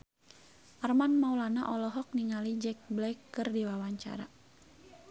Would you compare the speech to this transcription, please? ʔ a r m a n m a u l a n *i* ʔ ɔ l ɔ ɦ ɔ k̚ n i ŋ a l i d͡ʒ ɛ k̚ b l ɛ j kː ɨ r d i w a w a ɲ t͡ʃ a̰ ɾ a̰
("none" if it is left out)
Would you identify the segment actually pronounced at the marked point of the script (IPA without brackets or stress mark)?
a